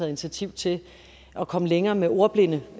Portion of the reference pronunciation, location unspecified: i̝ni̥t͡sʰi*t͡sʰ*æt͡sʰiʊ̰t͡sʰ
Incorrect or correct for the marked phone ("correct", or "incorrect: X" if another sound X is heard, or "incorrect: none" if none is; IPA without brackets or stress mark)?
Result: incorrect: none